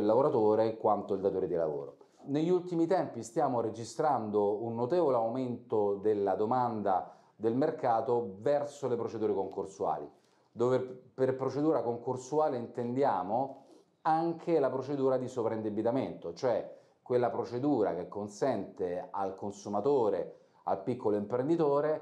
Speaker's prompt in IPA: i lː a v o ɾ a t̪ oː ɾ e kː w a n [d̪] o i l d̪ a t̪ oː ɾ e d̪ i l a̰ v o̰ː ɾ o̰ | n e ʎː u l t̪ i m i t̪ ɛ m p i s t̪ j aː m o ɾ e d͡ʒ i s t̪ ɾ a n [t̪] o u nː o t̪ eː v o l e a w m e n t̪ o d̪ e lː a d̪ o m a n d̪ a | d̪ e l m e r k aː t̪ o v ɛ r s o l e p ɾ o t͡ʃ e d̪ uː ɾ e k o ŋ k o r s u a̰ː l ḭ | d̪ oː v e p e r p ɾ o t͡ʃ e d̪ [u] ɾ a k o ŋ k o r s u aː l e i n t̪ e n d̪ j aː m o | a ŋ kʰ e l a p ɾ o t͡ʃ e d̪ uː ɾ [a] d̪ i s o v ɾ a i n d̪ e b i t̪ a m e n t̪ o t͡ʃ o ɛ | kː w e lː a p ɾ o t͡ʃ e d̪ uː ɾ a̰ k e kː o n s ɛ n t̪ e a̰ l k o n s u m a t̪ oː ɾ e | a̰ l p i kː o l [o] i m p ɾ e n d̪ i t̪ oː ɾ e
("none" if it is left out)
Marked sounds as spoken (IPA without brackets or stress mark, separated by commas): t̪, d̪, uː, a, o